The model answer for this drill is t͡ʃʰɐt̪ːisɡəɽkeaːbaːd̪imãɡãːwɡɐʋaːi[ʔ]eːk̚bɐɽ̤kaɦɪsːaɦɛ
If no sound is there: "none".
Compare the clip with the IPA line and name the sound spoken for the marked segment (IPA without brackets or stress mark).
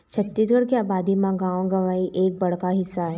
ʔ